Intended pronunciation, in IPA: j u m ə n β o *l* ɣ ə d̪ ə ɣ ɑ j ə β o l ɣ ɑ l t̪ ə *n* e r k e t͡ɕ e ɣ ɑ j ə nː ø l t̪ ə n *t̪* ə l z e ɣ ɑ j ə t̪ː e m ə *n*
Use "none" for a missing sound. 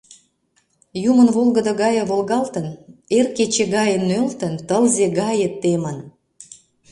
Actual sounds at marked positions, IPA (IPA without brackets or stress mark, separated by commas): l, n, t̪, n